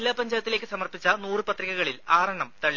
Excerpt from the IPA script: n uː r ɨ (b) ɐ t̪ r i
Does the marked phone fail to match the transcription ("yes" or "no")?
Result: yes